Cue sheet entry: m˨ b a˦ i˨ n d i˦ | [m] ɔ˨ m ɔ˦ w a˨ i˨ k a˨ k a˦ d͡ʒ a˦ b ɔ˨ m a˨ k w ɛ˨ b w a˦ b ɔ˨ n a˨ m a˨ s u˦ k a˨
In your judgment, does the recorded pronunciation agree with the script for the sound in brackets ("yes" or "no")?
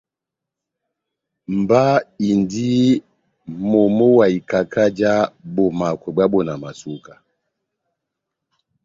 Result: yes